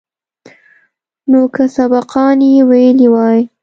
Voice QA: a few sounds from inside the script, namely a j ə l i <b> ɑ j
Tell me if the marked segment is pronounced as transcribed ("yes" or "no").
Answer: no